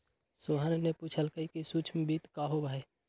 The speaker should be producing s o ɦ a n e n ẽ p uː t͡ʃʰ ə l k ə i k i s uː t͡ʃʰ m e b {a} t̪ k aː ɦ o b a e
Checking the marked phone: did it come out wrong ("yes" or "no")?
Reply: yes